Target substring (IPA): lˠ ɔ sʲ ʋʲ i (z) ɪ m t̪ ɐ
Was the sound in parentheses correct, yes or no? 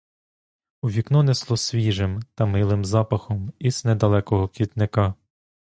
no